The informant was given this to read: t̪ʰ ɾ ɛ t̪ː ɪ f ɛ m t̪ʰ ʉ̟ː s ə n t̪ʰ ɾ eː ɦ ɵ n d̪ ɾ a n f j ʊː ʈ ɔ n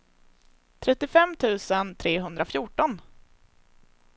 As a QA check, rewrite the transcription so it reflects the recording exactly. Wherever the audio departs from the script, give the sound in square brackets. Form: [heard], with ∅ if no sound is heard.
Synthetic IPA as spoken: t̪ʰ ɾ ɛ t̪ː ɪ f ɛ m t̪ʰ ʉ̟ː s ə n t̪ʰ ɾ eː ɦ ɵ n d̪ ɾ a [∅] f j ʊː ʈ ɔ n